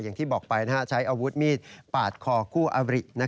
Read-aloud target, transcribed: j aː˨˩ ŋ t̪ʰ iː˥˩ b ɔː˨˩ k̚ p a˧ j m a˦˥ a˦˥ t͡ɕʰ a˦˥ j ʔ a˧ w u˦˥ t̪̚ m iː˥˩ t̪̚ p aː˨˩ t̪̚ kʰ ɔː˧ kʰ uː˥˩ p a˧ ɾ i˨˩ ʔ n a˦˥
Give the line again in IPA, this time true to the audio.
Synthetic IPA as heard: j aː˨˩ ŋ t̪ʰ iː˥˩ b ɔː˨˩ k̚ p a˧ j n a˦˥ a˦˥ t͡ɕʰ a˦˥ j ʔ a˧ w u˦˥ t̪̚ m iː˥˩ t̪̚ p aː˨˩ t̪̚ kʰ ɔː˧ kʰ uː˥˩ ʔ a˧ ɾ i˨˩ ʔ n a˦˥

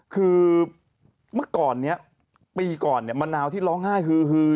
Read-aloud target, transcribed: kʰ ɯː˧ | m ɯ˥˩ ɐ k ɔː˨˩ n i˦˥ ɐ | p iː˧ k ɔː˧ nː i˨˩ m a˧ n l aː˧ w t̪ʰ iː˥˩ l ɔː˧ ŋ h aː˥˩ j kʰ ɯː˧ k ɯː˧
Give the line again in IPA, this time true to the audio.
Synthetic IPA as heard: kʰ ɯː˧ | m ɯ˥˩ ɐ k ɔː˨˩ nː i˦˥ ɐ | p iː˧ k ɔː˨˩ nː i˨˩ m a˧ n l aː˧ w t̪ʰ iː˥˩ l ɔː˦˥ ŋ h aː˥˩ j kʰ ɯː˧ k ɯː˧

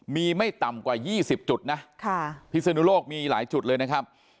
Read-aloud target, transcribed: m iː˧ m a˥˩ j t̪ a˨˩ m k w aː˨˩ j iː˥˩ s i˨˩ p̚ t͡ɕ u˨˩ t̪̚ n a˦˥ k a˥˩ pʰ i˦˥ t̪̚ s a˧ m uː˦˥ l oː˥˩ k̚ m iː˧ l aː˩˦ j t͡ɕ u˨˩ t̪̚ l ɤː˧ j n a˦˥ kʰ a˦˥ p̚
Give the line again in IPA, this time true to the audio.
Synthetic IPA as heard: m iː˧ m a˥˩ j t̪ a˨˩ m k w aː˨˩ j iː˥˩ s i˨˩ p̚ t͡ɕ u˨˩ t̪̚ n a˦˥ kʰ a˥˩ pʰ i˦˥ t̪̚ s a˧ n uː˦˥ l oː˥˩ k̚ m iː˧ l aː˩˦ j t͡ɕ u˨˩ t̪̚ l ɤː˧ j n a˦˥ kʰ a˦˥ p̚

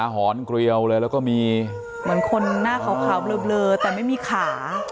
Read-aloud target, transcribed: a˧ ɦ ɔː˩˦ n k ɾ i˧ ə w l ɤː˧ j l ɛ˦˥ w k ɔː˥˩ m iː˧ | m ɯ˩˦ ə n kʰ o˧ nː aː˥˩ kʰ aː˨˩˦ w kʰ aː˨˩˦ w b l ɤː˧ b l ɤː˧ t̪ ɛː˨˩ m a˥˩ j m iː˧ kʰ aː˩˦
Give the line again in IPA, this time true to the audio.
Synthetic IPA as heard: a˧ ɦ ɔː˩˦ n k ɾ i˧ ə w l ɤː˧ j l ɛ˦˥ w k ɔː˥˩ m iː˧ | m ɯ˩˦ ə n kʰ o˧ nː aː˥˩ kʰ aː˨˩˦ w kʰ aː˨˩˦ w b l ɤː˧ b l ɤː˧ t̪ ɛː˨˩ m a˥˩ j m iː˧ kʰ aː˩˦

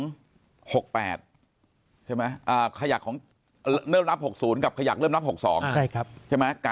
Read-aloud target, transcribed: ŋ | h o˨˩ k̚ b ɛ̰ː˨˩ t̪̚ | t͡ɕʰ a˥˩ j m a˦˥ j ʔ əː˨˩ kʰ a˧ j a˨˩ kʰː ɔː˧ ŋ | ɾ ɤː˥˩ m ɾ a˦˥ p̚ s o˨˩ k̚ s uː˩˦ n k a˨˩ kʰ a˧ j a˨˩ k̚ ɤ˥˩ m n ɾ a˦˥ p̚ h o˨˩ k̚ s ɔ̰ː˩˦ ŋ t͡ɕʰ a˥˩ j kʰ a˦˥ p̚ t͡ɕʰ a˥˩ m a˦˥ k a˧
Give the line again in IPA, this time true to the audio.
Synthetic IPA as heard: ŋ | h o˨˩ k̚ p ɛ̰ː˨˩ t̪̚ | t͡ɕʰ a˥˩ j m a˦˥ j ʔ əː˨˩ kʰ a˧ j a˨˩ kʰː ɔː˩˦ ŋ | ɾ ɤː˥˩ m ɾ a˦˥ p̚ h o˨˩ k̚ s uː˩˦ n k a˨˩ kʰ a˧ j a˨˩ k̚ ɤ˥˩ m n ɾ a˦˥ p̚ h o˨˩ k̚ s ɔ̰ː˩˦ ŋ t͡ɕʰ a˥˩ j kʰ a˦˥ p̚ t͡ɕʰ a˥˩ m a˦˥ k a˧

